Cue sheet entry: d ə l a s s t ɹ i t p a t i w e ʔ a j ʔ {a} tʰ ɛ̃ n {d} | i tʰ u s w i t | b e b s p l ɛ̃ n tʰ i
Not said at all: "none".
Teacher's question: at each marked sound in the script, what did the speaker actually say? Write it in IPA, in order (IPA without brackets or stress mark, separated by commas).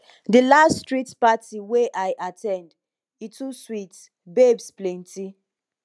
a, d